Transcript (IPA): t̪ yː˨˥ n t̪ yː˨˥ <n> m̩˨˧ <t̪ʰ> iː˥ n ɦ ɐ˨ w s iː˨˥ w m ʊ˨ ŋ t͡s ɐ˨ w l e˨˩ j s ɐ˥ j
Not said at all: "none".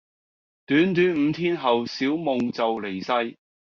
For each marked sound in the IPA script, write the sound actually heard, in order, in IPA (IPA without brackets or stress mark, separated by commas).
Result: n, t̪ʰ